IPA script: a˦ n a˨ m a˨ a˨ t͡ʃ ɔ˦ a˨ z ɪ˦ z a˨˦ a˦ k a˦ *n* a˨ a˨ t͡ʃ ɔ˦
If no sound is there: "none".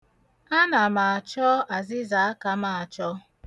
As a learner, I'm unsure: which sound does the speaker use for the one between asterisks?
m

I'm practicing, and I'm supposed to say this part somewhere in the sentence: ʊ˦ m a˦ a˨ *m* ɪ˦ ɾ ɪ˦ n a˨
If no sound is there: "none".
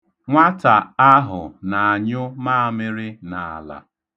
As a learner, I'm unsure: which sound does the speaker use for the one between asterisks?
m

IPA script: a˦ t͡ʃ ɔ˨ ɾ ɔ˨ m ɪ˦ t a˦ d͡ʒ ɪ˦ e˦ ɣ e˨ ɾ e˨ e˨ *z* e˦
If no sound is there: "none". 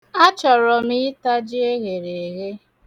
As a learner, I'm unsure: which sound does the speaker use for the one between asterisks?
ɣ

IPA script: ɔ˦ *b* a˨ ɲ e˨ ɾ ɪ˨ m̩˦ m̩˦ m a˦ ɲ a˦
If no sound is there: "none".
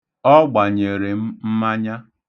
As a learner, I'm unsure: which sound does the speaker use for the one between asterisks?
ɡ͡b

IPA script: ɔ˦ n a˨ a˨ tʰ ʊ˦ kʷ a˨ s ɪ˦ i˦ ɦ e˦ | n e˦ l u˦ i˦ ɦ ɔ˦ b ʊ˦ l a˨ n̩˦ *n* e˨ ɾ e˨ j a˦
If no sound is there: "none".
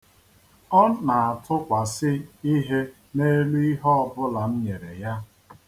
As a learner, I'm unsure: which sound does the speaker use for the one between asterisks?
ɲ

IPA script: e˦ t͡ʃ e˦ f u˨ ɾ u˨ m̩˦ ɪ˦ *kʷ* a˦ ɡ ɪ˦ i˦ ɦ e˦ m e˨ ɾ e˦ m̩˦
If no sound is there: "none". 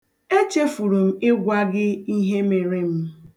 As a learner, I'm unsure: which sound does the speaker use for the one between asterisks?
ɡʷ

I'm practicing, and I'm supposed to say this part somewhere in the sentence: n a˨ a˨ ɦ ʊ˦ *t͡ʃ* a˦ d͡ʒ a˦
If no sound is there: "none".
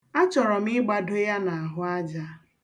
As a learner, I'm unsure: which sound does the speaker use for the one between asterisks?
none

